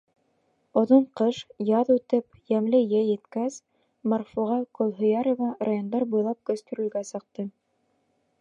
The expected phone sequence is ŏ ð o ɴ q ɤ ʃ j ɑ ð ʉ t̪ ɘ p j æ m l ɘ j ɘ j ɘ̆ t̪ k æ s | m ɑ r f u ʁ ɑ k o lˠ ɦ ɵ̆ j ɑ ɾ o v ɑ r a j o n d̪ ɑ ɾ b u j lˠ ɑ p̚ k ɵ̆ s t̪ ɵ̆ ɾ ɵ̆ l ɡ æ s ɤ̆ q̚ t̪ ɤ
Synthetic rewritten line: ŏ ð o ɴ q ɤ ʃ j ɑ ð ʉ t̪ ɘ p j æ m l ɘ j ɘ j ɘ̆ t̪ k æ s | m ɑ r f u ʁ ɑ k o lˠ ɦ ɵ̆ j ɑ ɾ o v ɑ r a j o n d̪ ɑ ɾ b u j lˠ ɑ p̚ k ɵ̆ s t̪ ɵ̆ ɾ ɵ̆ l ɡ æ s ɤ̆ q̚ t̪ ɤ